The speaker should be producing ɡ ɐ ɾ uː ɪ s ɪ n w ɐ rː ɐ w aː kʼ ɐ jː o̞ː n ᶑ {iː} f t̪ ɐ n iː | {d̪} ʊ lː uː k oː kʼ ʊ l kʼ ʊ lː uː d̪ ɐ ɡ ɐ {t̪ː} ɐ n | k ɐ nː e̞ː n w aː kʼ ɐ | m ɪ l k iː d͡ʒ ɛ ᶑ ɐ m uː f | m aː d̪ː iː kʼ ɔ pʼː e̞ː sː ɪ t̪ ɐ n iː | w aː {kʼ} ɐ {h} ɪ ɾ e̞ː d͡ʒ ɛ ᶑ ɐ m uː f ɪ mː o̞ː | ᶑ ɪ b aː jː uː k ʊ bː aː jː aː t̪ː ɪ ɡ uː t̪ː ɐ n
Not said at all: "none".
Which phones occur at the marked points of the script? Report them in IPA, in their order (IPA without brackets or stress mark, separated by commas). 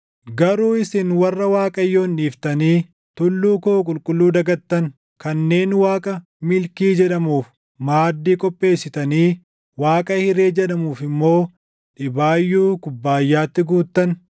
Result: iː, t̪, t̪ː, kʼ, h